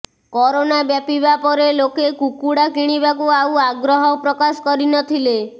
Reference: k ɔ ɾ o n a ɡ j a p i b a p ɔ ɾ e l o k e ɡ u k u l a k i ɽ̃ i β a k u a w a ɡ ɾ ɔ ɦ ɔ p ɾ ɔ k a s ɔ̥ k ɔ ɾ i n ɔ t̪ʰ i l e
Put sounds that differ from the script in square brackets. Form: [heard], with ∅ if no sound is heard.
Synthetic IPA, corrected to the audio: k ɔ ɾ o n a [b] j a p i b a p ɔ ɾ e l o k e [k] u k u [ɽ] a k i ɽ̃ i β a k u a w a ɡ ɾ ɔ ɦ ɔ p ɾ ɔ k a s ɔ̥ k ɔ ɾ i n ɔ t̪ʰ i l e